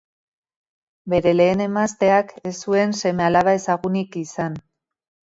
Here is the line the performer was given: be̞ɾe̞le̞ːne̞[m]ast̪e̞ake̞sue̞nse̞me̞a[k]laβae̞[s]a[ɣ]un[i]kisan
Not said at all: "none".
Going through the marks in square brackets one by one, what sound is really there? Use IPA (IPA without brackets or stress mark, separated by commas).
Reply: m, none, s, ɣ, i